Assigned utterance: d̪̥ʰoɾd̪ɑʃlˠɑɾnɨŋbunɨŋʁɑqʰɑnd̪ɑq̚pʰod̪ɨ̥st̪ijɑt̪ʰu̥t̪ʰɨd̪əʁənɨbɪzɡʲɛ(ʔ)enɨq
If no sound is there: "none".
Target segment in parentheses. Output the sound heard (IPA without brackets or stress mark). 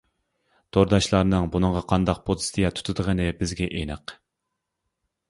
ʔ